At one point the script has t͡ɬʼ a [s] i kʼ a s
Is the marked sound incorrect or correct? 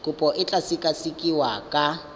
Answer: correct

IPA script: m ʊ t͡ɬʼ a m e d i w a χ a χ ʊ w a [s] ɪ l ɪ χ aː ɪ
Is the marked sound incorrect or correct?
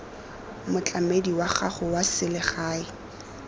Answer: correct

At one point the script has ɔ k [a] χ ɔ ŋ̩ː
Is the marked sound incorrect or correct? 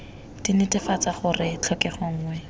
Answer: incorrect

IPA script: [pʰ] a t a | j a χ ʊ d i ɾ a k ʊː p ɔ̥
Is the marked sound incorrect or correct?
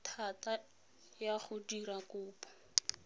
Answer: incorrect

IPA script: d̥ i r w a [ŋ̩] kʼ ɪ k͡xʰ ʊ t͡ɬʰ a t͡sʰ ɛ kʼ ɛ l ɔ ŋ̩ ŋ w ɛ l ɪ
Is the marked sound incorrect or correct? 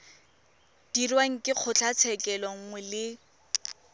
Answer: correct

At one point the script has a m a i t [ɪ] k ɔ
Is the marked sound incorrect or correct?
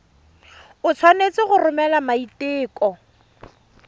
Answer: incorrect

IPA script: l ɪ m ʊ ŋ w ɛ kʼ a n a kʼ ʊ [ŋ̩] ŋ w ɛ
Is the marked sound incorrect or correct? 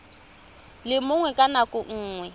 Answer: incorrect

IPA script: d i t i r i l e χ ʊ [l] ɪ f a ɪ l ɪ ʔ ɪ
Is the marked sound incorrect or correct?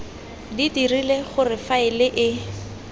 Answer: incorrect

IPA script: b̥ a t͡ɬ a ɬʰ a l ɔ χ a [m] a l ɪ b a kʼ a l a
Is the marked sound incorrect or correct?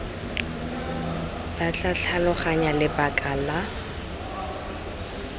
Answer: incorrect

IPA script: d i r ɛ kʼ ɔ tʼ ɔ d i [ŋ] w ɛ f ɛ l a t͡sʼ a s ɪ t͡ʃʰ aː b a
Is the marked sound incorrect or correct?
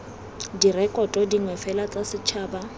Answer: correct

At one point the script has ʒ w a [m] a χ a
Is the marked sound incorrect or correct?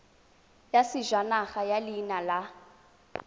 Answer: incorrect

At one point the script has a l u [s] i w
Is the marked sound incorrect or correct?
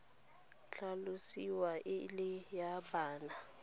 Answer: correct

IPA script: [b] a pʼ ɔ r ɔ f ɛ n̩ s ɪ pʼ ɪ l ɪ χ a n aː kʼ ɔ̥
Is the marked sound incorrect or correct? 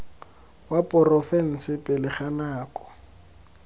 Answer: incorrect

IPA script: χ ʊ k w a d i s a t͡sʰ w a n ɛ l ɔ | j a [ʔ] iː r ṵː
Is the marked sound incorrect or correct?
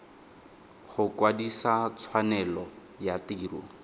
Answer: incorrect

